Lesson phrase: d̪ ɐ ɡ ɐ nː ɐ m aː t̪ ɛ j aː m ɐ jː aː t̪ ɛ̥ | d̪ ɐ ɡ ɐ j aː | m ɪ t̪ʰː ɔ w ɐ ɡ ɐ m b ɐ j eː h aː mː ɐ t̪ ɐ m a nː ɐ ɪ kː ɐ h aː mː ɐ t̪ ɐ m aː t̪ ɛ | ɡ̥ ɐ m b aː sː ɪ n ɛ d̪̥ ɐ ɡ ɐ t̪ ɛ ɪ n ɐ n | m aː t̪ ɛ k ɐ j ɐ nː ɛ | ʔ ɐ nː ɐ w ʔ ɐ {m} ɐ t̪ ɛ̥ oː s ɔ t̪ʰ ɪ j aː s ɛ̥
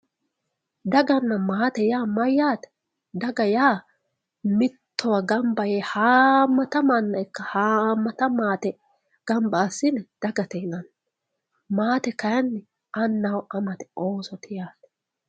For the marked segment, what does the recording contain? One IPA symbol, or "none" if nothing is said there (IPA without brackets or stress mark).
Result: m